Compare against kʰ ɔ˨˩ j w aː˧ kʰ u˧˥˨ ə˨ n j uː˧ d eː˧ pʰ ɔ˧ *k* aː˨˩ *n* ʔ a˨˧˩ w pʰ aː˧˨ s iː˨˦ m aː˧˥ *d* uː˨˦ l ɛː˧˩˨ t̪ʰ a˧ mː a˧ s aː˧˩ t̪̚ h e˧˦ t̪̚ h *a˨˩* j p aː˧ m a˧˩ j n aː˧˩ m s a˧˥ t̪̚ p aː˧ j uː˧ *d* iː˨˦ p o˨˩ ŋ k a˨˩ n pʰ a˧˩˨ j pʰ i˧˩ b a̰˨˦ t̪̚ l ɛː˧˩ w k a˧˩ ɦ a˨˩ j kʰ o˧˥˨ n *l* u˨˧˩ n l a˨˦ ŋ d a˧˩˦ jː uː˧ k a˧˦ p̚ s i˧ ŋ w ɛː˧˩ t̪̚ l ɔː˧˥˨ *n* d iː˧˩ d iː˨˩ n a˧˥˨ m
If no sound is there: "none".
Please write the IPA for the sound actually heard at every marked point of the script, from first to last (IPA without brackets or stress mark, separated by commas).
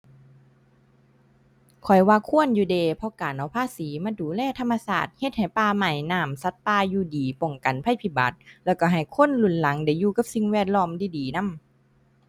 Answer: k, n, d, a˨˩, d, l, m